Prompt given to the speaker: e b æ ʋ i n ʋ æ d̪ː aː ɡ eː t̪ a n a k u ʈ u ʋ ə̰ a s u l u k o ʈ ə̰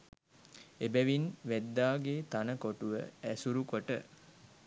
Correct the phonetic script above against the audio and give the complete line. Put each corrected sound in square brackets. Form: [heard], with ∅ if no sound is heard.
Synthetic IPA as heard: e b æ ʋ i n ʋ æ d̪ː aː ɡ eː t̪ a n [ə] k [o] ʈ u ʋ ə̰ [æ] s u [ɾ] u k o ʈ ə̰